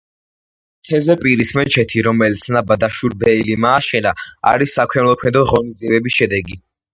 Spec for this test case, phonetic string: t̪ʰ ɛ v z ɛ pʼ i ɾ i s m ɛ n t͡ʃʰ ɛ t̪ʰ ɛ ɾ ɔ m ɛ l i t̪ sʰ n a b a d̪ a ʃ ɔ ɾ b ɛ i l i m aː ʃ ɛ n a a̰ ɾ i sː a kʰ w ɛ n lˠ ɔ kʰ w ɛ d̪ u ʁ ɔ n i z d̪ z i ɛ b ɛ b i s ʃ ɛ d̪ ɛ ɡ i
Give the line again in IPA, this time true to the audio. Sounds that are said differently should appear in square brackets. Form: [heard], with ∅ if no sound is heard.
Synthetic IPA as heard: t̪ʰ ɛ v z ɛ pʼ i ɾ i s m ɛ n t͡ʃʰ ɛ t̪ʰ [i] ɾ ɔ m ɛ l i t̪ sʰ n a b a d̪ a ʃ [u] ɾ b ɛ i l i m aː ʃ ɛ n a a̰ ɾ i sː a kʰ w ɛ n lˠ ɔ kʰ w ɛ d̪ [ɔ] ʁ ɔ n i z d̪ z i ɛ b ɛ b i s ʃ ɛ d̪ ɛ ɡ i